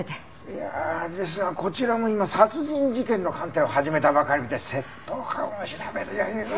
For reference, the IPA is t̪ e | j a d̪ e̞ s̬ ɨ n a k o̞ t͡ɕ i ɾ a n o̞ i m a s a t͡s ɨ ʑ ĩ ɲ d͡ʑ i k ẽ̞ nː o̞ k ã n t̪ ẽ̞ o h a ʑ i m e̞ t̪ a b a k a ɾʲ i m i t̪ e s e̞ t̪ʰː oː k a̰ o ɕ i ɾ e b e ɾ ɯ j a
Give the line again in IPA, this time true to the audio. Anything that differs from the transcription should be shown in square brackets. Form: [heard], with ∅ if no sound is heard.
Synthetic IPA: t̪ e | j a d̪ e̞ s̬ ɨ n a k o̞ t͡ɕ i ɾ a [m] o̞ i m a s a t͡s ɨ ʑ ĩ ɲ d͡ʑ i k ẽ̞ nː o̞ k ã n t̪ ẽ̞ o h a ʑ i m e̞ t̪ a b a k a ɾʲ i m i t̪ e s e̞ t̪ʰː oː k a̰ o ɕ i ɾ [a] b e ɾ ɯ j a

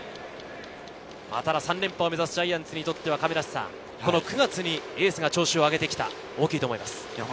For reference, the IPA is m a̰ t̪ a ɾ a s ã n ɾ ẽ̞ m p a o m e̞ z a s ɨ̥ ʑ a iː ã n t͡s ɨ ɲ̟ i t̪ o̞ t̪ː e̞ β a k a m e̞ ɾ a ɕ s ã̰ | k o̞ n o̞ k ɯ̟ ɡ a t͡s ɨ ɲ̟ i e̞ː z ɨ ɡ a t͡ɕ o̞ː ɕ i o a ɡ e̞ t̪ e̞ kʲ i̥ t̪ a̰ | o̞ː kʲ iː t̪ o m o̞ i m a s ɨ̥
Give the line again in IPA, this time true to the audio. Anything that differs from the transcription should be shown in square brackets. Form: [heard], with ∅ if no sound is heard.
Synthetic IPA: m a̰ t̪ a ɾ a s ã n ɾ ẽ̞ m p a o m e̞ z a s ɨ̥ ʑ a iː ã n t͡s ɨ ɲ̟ i t̪ o̞ t̪ː e̞ β a k a m e̞ ɾ a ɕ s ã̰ | k o̞ n o̞ k ɯ̟ ɡ a t͡s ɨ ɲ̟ i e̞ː [s] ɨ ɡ a t͡ɕ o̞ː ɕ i o a ɡ e̞ t̪ e̞ kʲ i̥ t̪ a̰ | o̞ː kʲ iː t̪ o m o̞ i m a s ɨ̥

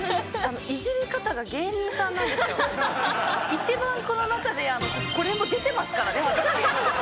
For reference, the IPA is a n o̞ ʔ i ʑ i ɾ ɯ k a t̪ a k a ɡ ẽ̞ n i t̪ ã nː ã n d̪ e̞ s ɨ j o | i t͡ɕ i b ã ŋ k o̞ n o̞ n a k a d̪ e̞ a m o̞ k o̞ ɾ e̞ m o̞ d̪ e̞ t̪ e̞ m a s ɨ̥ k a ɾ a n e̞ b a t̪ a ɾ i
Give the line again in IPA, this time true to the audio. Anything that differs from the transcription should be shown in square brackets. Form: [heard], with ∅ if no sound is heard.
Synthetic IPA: a n o̞ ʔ i ʑ i ɾ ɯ k a t̪ a [ɡ] a ɡ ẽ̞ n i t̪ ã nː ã n d̪ e̞ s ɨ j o | i t͡ɕ i b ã ŋ k o̞ n o̞ n a k a d̪ e̞ a [n] o̞ k o̞ ɾ e̞ m o̞ d̪ e̞ t̪ e̞ m a s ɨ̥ k a ɾ a n e̞ [β] a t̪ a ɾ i

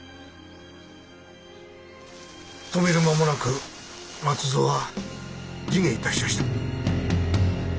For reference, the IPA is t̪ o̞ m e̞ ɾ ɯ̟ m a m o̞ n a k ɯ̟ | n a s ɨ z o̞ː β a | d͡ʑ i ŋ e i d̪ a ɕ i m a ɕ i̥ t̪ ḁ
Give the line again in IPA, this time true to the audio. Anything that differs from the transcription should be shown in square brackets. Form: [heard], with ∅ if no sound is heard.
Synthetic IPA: t̪ o̞ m e̞ ɾ ɯ̟ m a m o̞ n a k ɯ̟ | [m] a [t͡s] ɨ z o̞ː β a | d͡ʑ i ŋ e i [t̪] a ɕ i m a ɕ i̥ t̪ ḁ

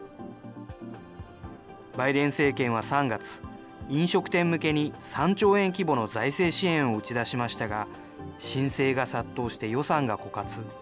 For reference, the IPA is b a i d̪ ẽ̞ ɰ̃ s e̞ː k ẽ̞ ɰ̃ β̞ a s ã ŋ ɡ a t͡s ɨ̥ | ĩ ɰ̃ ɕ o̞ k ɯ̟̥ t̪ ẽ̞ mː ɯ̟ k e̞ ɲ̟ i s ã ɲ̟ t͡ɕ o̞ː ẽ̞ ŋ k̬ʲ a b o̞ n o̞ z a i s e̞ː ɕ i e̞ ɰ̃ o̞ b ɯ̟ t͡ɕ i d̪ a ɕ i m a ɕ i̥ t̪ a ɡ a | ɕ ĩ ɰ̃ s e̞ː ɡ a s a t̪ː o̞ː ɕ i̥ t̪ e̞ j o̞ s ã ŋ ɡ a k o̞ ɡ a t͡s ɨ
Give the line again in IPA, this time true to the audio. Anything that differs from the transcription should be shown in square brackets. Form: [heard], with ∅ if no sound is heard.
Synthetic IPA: b a i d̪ ẽ̞ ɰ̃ s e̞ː k ẽ̞ ɰ̃ β̞ a s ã ŋ ɡ a t͡s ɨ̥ | ĩ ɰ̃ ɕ o̞ k ɯ̟̥ t̪ ẽ̞ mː ɯ̟ k e̞ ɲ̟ i s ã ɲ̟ t͡ɕ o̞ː ẽ̞ ŋ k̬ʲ [i] b o̞ n o̞ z a i s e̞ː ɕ i [ẽ̞] ɰ̃ o̞ [∅] ɯ̟ t͡ɕ i d̪ a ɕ i m a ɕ i̥ t̪ a ɡ a | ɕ ĩ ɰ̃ s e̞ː ɡ a s a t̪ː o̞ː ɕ i̥ t̪ e̞ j o̞ s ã ŋ ɡ a k o̞ [k] a t͡s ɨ

